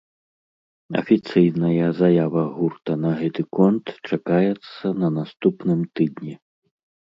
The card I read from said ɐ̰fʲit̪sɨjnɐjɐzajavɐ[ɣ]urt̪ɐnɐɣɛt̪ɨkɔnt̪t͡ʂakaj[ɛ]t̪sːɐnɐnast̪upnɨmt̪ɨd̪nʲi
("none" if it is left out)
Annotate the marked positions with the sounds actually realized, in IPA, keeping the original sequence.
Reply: ɣ, ɛ

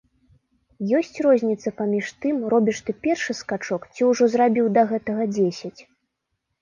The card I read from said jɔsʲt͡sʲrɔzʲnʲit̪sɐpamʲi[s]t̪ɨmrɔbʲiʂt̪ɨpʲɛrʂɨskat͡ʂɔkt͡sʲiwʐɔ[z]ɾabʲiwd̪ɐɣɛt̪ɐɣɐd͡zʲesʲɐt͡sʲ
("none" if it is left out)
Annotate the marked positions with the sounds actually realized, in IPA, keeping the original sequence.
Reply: ʂ, z

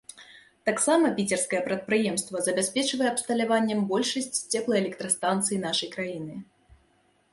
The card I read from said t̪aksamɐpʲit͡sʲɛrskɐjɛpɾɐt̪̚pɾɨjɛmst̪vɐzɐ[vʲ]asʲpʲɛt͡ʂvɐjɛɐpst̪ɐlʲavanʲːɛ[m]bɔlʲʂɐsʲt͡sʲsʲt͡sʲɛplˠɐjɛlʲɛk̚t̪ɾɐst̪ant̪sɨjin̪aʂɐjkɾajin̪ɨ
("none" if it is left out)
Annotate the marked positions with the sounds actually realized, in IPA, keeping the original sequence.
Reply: bʲ, m

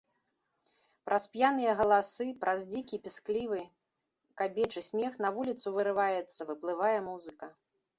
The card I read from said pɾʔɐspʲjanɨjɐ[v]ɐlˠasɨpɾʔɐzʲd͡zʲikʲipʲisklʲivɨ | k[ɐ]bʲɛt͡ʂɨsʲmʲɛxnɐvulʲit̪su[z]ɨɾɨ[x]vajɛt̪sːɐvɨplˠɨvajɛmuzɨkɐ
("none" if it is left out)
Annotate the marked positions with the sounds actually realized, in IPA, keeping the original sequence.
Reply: ɣ, a, v, none

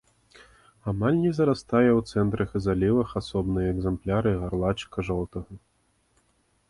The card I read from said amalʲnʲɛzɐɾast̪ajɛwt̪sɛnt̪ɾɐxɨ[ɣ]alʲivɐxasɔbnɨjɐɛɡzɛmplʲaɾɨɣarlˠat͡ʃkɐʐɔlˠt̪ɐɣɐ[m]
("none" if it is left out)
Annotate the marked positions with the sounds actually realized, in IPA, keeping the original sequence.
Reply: z, none

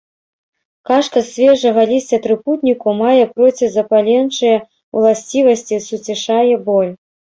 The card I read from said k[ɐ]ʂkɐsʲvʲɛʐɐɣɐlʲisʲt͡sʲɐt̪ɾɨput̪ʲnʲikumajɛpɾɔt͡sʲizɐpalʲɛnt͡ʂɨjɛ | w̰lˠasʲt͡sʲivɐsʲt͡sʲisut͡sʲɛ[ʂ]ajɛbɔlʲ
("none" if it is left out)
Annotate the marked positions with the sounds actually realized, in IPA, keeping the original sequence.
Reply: a, ʂ

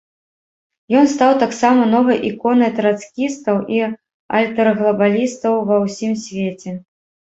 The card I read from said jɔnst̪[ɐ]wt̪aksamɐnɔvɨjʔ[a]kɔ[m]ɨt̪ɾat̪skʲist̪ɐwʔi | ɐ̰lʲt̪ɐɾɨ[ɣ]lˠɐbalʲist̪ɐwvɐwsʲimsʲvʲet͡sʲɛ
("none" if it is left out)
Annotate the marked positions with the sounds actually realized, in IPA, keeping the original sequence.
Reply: a, i, n, ɣ

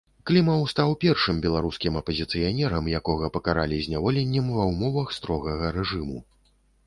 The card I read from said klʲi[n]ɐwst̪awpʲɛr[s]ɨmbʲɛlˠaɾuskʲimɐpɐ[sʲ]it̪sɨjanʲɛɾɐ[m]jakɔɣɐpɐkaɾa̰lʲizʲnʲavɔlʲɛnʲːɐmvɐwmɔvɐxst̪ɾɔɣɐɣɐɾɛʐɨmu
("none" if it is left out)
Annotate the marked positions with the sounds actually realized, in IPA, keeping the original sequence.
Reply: m, ʂ, zʲ, m

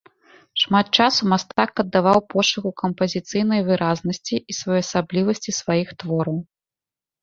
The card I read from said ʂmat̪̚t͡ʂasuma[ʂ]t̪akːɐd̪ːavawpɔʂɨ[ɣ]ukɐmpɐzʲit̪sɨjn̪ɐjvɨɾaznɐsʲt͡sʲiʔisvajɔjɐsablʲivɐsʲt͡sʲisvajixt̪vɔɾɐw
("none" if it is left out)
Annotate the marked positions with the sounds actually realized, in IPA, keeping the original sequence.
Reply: s, ɣ

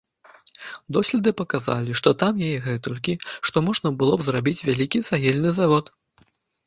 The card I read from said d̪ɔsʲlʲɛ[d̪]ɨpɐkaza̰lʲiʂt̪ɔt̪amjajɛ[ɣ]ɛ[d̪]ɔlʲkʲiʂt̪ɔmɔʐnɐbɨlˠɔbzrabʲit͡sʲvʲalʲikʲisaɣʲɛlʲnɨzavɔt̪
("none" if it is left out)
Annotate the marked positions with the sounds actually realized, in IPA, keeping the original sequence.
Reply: d̪, ɣ, t̪

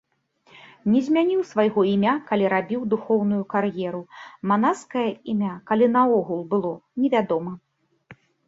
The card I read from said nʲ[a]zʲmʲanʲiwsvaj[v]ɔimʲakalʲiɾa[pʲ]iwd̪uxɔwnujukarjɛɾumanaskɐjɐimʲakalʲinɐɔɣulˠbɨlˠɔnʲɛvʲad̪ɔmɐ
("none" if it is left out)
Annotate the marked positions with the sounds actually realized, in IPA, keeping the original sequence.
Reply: ɛ, ɣ, bʲ

